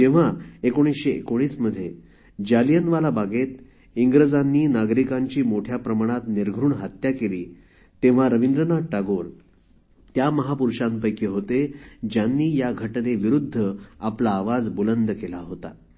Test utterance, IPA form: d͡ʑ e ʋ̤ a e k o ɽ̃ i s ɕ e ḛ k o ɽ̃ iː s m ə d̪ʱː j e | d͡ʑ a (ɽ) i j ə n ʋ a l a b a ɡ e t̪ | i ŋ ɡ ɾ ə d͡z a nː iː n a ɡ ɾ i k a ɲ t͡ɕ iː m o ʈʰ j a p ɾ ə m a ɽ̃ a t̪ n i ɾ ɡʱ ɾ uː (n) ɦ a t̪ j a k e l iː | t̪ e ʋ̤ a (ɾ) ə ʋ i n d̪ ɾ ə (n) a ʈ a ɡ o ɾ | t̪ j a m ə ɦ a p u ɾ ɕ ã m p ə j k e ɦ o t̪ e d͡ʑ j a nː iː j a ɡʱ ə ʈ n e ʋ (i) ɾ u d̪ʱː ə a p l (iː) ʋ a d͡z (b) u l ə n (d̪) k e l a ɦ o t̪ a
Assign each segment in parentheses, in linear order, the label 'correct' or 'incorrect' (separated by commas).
incorrect, incorrect, correct, correct, correct, incorrect, correct, correct